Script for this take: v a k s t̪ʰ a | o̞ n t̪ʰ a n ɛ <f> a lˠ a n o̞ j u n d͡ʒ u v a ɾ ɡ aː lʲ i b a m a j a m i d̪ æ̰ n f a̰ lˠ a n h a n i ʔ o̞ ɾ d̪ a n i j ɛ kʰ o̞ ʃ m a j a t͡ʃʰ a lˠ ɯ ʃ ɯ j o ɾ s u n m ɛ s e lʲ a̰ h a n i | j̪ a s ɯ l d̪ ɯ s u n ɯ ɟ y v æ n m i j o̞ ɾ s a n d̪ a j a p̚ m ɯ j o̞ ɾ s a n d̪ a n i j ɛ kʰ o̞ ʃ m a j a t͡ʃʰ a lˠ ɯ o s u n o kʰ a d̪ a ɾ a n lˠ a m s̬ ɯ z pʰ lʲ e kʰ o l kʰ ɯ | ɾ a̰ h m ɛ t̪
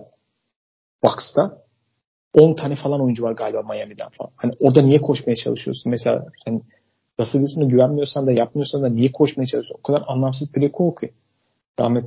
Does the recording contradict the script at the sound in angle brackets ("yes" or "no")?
no